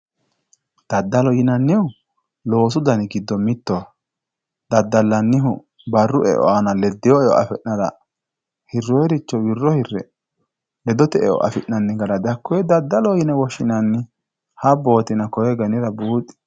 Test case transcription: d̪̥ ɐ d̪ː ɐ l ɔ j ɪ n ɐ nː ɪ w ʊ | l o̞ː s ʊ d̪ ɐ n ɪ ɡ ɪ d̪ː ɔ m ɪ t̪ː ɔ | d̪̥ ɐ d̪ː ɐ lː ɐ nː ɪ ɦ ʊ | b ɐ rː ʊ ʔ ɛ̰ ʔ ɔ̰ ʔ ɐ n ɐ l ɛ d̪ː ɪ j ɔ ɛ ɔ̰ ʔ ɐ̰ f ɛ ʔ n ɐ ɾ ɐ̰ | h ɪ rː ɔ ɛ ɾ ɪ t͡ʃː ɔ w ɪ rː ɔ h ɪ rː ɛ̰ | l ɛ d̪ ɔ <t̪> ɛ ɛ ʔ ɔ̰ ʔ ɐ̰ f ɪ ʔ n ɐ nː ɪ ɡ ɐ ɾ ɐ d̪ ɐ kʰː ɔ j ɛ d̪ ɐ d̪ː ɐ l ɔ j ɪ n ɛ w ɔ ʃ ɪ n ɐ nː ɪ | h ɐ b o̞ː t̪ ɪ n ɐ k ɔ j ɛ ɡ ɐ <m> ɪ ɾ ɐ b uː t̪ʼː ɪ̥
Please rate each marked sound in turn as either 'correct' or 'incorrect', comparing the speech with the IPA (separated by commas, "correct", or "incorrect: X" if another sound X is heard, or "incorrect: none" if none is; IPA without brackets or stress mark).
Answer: correct, incorrect: n